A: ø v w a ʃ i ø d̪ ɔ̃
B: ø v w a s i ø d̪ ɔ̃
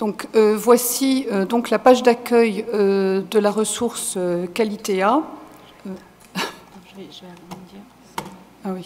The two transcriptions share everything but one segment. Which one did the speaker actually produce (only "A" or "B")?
B